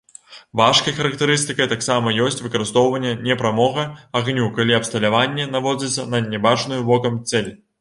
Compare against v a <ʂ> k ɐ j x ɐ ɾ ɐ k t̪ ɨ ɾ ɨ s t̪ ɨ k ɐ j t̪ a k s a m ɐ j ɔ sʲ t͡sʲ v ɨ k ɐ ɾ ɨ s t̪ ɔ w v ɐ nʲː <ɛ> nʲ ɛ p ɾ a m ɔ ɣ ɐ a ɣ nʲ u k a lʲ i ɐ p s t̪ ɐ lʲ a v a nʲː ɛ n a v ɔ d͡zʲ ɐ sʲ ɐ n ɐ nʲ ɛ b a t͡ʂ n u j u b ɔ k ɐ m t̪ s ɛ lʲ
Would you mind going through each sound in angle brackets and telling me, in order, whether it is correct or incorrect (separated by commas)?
correct, correct